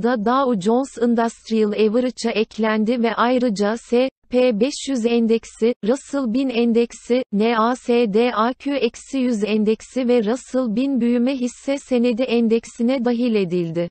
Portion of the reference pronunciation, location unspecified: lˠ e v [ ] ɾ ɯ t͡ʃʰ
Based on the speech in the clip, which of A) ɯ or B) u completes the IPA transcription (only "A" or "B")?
A